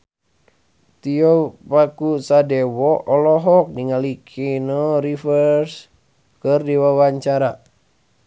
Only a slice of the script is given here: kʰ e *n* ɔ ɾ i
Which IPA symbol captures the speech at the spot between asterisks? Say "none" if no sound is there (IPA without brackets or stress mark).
n